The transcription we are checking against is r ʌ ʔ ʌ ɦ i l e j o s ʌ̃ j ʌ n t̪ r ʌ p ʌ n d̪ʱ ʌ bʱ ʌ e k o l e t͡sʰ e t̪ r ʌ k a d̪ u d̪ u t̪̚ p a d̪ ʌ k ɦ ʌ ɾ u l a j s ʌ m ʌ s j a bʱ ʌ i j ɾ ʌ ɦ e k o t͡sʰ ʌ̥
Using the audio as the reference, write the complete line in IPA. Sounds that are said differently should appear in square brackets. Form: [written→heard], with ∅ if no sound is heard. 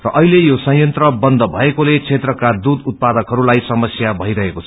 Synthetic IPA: r ʌ ʔ ʌ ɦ i l e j o s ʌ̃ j ʌ n t̪ r ʌ [p→b] ʌ n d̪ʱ ʌ bʱ ʌ e k o l e t͡sʰ e t̪ r ʌ k a d̪ u d̪ u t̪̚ p a d̪ ʌ k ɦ ʌ ɾ u l a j s ʌ m ʌ s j a bʱ ʌ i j ɾ ʌ ɦ e k o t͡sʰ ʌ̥